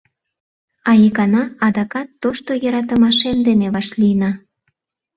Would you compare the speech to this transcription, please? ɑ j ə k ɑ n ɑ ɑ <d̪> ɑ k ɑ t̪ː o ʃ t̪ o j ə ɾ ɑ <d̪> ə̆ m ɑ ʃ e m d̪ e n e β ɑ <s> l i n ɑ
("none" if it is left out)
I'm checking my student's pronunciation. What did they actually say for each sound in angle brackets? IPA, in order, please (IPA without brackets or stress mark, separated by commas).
d̪, t̪, ʃ